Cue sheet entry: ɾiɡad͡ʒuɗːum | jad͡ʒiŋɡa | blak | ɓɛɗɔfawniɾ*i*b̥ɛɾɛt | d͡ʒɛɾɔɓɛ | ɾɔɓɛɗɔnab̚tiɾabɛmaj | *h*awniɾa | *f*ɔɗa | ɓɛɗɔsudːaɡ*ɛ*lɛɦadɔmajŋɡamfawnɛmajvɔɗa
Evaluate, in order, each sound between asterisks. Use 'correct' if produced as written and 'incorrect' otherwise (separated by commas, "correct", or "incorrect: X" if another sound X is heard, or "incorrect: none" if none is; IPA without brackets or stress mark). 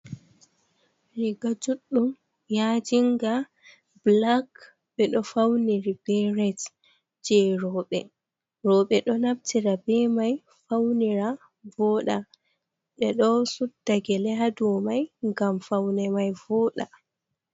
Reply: correct, incorrect: f, incorrect: v, correct